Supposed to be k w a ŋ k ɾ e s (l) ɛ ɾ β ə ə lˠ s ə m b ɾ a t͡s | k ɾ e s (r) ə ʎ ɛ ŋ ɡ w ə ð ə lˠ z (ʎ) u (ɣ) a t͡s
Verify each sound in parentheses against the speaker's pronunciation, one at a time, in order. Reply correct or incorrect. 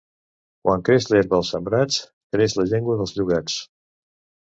correct, incorrect, correct, correct

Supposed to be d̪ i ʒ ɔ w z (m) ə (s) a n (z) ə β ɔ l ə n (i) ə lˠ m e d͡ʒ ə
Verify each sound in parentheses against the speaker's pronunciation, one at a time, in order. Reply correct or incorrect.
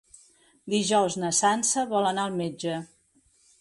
incorrect, correct, incorrect, incorrect

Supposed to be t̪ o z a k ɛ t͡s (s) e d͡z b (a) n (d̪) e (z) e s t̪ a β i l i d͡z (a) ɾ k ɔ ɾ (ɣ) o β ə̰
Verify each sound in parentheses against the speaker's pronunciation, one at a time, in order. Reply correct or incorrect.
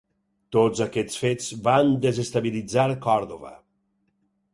incorrect, correct, correct, correct, correct, incorrect

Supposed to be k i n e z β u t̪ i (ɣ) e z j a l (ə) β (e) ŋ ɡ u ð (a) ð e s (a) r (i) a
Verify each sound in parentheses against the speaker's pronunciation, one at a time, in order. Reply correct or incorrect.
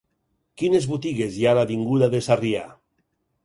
correct, incorrect, incorrect, correct, correct, correct

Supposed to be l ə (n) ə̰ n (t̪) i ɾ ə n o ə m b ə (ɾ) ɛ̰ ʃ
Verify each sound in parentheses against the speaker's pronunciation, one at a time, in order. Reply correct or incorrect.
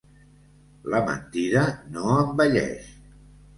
incorrect, correct, incorrect

